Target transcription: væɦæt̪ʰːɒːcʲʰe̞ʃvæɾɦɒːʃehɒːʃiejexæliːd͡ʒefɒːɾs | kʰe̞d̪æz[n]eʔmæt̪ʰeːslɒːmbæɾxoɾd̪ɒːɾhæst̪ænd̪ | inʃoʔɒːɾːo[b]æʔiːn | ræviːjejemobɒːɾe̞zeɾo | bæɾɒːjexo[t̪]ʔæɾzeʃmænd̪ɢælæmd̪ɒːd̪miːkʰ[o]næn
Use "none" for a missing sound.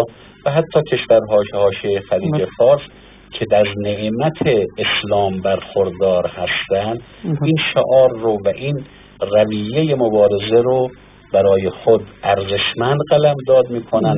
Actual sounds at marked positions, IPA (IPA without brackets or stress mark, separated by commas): n, v, d̪, o